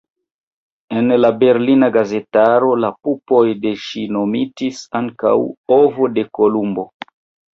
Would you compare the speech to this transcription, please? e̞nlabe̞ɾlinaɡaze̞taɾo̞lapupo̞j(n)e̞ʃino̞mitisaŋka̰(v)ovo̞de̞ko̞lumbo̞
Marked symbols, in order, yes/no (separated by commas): no, no